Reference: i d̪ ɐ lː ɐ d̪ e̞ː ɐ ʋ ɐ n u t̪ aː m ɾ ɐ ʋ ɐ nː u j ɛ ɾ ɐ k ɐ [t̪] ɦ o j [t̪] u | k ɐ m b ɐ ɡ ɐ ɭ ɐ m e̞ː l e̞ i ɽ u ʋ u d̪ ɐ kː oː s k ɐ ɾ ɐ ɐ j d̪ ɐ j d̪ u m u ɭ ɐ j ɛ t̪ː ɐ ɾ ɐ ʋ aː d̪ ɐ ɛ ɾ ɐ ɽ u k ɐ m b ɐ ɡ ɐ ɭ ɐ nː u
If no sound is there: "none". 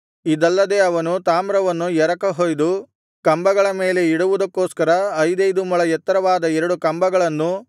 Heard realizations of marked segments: none, d̪

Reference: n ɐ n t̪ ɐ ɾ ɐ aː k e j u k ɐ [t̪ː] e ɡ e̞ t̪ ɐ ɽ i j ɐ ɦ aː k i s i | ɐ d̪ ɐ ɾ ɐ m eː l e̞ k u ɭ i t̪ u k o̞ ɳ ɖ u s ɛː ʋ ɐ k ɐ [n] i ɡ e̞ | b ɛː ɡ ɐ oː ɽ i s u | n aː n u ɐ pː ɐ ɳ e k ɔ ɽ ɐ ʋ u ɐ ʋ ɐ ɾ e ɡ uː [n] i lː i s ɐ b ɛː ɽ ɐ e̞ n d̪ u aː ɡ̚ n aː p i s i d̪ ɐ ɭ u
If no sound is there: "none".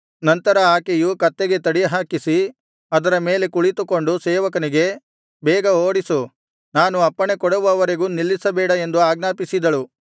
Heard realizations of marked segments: t̪ː, n, n

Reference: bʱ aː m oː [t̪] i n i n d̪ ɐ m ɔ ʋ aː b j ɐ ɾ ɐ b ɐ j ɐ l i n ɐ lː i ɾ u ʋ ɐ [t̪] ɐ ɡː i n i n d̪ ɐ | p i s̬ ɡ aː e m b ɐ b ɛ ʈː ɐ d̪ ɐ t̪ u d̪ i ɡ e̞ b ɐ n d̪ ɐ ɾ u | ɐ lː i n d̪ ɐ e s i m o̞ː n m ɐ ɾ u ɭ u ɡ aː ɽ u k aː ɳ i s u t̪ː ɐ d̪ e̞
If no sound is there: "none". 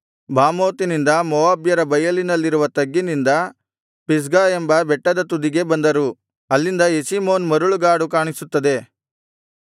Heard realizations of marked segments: t̪, t̪

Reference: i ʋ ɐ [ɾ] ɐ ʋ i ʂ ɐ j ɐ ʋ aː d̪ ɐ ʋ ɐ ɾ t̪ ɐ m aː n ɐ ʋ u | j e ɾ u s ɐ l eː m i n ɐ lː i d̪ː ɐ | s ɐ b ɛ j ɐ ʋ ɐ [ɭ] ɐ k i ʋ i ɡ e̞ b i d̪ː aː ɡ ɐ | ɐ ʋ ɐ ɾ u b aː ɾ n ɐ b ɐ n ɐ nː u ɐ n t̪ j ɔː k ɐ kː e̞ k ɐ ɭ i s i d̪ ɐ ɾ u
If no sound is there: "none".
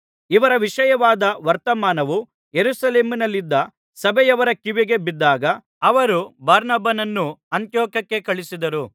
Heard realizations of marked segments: ɾ, ɾ

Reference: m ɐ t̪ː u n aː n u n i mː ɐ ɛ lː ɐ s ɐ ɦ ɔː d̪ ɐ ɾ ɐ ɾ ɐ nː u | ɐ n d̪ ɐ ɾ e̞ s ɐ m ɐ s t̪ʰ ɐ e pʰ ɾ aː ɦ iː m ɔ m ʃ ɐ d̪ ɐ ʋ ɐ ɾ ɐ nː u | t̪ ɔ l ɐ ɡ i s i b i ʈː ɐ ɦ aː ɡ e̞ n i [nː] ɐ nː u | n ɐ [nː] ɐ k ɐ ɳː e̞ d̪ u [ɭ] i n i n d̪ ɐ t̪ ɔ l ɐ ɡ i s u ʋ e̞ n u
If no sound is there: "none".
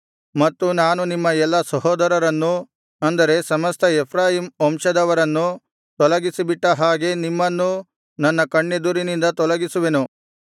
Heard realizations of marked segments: mː, nː, ɾ

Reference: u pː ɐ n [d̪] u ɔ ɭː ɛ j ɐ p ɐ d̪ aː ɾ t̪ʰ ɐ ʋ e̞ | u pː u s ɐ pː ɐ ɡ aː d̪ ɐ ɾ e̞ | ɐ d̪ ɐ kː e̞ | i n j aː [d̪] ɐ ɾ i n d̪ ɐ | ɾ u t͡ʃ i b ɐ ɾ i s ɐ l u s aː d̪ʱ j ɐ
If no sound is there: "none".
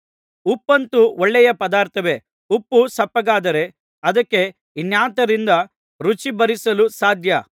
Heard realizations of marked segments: t̪, t̪

